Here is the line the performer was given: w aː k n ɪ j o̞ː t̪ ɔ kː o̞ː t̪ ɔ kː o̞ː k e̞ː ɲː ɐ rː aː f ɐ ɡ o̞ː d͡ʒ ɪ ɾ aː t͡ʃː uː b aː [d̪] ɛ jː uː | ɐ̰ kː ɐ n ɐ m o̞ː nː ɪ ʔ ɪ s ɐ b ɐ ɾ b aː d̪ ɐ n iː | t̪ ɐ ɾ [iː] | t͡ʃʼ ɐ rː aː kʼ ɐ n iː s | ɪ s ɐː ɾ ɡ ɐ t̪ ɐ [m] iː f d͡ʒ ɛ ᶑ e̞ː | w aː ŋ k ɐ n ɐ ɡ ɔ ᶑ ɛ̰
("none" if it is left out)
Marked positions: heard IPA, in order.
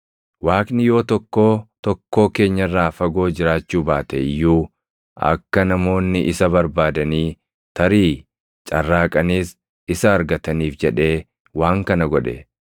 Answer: t̪, iː, n

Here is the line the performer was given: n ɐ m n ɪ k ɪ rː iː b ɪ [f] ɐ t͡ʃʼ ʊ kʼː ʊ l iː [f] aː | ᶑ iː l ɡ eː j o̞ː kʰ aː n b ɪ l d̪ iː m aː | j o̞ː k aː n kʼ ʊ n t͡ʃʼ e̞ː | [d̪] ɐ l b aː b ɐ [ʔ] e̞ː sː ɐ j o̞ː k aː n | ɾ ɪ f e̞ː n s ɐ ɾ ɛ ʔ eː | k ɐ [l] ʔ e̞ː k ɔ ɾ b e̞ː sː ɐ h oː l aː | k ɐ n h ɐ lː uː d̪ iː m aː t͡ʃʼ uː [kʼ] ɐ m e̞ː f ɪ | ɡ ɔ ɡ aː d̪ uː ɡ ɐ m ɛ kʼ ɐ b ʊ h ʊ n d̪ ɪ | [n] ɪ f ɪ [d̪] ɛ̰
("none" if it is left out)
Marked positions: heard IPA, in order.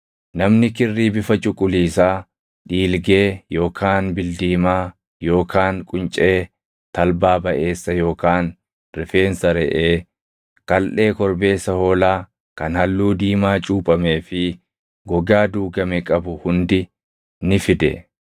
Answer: f, s, t̪, ʔ, l, pʼ, n, d̪

